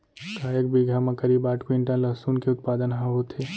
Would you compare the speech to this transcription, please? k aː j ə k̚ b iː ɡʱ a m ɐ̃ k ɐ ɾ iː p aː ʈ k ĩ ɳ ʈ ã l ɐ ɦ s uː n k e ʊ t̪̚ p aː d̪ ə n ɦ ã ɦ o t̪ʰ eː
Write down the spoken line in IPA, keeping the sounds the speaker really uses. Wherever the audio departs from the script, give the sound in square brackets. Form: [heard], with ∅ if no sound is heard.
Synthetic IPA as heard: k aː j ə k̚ b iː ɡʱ a m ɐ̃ k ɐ ɾ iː [b] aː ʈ k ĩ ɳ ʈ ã l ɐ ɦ s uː n k e ʊ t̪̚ p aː d̪ ə n ɦ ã ɦ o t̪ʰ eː